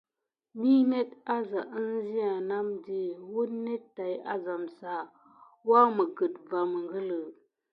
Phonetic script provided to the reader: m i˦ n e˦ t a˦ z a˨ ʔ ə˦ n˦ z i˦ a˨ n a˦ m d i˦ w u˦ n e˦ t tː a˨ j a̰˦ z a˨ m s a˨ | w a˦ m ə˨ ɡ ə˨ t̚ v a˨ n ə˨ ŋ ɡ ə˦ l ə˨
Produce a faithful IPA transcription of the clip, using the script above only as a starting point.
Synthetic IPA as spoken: m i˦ n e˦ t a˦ z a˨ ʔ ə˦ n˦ z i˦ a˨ n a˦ m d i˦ w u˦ n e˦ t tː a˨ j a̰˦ z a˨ m s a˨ | w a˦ m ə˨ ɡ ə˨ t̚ v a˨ m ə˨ ŋ ɡ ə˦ l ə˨